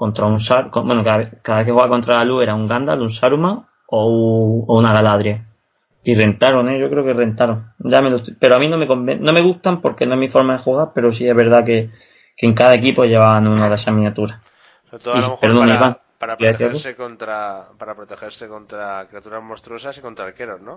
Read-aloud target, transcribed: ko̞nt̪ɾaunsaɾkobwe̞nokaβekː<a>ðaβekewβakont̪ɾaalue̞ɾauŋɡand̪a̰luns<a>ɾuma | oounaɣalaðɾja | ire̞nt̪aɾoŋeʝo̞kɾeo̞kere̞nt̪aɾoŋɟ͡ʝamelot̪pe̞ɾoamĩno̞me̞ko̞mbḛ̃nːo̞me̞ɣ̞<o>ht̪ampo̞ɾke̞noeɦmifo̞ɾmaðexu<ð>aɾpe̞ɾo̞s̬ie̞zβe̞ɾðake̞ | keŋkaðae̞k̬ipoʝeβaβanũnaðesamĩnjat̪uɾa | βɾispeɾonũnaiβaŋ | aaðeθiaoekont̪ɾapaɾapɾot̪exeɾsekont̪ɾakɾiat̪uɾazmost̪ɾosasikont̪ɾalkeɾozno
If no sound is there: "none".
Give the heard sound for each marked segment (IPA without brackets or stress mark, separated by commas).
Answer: a, a, u, ɣ